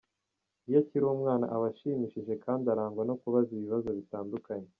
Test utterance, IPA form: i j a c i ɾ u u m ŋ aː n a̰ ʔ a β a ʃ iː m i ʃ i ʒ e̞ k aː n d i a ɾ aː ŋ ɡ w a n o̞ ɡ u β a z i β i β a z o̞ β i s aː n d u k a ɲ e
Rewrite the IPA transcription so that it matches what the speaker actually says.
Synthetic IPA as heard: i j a c i ɾ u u m ŋ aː n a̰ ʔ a β a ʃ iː m i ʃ i ʒ e̞ k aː n d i a ɾ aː ŋ ɡ w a n o̞ k u β a z i β i β a z o̞ β i t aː n d u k a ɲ e